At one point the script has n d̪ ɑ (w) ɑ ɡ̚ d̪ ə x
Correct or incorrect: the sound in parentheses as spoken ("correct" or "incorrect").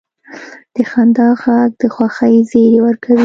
incorrect